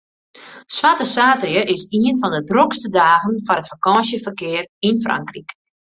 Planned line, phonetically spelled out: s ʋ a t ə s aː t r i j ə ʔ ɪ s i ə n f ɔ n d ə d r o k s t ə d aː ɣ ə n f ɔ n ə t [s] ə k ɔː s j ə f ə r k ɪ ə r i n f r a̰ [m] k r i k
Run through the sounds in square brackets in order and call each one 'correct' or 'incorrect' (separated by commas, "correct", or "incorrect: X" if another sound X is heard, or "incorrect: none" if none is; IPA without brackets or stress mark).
incorrect: f, incorrect: ŋ